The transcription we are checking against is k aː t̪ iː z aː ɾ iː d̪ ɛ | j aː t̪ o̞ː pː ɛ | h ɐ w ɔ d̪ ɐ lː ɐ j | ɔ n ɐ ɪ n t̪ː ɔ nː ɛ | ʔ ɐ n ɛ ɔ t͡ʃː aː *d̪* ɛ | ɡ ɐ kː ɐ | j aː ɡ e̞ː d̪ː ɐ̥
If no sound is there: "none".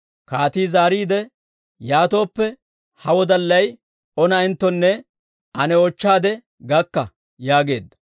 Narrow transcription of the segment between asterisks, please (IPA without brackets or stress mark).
d̪